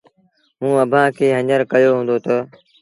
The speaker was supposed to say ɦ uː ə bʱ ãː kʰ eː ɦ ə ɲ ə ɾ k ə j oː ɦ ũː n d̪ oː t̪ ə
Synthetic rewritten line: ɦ ũː ə bʱ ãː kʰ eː ɦ ə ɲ ə ɾ k ə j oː ɦ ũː n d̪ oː t̪ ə